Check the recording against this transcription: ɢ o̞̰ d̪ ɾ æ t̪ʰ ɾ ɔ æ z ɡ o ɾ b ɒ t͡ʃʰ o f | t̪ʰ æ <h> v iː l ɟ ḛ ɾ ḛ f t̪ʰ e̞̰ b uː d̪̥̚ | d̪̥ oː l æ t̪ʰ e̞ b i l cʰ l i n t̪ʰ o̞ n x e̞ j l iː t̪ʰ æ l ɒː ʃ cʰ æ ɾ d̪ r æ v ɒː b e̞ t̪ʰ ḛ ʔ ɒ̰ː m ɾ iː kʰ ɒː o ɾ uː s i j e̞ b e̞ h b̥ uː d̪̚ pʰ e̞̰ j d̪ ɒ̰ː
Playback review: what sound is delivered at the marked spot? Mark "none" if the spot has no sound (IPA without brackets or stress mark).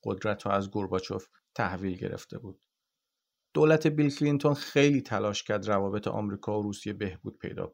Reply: h